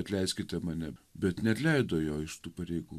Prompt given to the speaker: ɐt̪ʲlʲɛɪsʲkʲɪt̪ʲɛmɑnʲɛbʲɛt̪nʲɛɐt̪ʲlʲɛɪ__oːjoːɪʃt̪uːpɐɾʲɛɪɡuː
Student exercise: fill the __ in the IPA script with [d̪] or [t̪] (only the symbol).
d̪